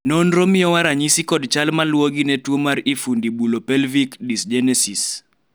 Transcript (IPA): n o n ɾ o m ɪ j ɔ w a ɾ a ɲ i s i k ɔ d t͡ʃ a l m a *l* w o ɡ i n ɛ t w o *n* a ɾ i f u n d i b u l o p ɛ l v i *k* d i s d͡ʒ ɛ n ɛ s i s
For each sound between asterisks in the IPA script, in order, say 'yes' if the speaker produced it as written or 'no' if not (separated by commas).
yes, no, yes